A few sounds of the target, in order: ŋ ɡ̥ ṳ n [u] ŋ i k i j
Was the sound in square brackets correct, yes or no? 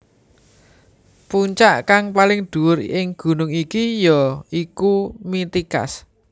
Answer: no